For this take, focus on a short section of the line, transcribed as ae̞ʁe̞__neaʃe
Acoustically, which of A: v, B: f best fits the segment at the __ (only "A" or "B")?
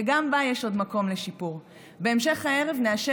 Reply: A